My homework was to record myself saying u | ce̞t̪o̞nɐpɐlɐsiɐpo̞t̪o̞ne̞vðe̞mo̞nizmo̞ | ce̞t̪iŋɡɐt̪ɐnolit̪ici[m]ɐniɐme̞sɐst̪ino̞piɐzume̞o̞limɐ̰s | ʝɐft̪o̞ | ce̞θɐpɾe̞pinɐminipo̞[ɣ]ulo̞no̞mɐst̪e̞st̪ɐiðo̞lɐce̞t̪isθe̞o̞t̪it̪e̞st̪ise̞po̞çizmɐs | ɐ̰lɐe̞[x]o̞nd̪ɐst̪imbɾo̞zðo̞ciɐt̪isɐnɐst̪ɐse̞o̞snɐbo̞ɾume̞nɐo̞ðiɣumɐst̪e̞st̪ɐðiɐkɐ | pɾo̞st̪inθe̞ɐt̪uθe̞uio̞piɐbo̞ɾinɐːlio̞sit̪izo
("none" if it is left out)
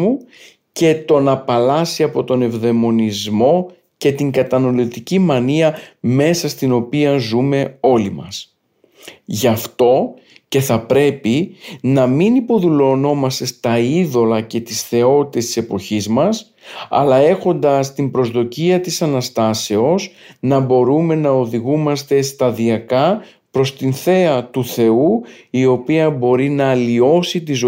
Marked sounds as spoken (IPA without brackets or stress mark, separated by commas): m, ð, x